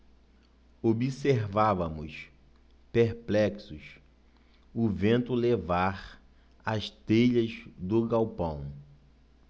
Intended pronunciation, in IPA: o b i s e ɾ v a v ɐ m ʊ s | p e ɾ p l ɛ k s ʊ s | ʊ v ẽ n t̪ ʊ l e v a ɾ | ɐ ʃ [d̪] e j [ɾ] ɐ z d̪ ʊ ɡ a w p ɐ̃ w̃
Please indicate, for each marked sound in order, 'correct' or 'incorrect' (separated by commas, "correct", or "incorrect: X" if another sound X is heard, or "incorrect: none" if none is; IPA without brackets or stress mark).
incorrect: t̪, incorrect: ʎ